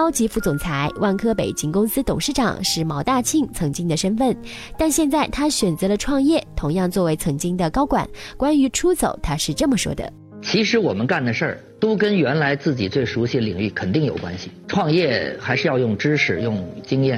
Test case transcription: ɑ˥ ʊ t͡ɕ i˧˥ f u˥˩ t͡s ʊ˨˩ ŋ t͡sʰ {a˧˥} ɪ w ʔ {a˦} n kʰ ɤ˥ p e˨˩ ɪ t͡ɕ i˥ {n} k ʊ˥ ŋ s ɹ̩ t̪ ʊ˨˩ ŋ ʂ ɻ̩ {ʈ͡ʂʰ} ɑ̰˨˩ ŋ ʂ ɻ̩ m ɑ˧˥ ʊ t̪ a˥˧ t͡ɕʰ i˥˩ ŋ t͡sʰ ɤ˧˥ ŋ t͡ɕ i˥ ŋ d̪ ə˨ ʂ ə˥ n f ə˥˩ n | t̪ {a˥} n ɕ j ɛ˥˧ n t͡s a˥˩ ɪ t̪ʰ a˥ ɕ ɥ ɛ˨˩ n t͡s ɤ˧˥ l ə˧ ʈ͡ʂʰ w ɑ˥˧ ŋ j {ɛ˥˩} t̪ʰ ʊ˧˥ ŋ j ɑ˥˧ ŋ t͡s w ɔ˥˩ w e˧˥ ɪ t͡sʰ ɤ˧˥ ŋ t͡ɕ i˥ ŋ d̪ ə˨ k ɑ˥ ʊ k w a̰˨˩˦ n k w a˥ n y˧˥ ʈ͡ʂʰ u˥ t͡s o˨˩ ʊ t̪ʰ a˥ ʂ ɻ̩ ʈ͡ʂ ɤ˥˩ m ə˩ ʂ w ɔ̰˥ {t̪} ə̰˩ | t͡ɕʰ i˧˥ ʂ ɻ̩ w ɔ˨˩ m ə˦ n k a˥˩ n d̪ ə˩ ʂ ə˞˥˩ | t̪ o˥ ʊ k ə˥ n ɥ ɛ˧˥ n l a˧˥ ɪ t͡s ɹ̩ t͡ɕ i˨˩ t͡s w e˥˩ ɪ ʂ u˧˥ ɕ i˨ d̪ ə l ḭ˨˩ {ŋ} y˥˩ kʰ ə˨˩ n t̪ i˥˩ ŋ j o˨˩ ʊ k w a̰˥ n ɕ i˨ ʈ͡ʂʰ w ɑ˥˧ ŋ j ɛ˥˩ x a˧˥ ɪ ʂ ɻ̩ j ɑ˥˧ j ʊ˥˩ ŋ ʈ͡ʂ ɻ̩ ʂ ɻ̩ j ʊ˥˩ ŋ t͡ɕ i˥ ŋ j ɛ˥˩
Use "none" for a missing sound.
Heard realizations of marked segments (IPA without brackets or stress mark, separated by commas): a˧˥, a˥˩, ŋ, ʈ͡ʂ, a˥˧, ɛ˥˩, d̪, ŋ